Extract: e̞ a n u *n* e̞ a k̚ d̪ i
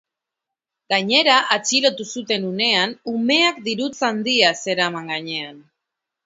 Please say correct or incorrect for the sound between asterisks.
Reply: incorrect